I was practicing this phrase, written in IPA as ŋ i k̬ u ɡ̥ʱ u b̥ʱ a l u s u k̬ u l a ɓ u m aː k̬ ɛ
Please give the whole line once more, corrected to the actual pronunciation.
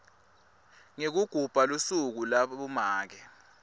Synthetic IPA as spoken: ŋ e k̬ u ɡ̥ʱ u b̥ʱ a l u s u k̬ u l a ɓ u m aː k̬ ɛ